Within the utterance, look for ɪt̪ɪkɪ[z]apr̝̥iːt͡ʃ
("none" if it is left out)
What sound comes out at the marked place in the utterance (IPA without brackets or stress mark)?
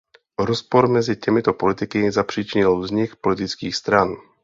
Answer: z